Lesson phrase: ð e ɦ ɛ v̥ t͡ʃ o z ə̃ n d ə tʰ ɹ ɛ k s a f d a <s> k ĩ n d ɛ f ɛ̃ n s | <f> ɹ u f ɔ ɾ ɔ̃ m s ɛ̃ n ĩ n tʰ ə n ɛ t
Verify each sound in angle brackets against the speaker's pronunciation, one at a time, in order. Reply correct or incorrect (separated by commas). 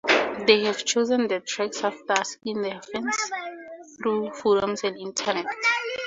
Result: correct, incorrect